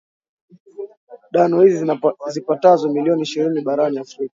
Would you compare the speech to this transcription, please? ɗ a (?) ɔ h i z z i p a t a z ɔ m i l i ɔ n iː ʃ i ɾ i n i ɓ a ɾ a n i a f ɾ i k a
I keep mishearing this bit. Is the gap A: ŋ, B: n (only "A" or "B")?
B